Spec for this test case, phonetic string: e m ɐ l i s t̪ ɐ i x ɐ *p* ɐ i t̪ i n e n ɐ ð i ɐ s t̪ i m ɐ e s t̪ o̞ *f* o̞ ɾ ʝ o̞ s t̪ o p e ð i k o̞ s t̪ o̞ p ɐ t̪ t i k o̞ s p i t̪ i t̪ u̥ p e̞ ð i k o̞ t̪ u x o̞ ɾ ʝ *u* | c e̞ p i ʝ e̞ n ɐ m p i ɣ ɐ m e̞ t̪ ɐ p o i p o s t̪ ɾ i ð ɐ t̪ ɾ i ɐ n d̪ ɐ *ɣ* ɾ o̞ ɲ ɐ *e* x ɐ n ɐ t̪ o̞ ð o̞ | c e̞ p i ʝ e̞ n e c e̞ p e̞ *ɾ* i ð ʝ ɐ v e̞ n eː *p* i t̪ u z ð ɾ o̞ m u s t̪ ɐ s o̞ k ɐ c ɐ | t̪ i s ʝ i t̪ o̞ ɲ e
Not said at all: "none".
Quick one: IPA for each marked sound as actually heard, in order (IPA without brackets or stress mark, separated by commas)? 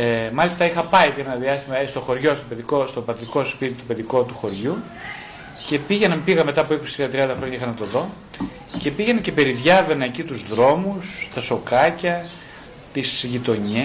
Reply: p, x, u, x, i, ɾ, c